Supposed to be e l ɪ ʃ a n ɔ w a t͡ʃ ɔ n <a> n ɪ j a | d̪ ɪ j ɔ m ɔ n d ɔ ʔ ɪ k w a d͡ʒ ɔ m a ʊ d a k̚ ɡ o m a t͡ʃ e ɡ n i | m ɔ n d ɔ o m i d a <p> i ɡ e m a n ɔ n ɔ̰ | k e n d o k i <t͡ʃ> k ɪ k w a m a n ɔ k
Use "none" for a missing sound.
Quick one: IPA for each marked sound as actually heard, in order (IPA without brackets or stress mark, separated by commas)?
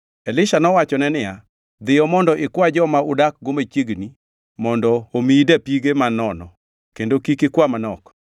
ɛ, p, none